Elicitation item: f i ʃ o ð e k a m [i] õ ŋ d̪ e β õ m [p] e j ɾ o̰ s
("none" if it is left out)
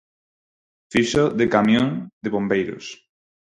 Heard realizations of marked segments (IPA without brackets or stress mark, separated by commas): j, b